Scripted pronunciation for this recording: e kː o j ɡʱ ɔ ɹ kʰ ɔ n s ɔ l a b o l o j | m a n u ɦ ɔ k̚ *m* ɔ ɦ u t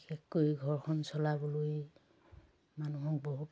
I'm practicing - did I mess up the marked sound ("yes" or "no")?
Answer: yes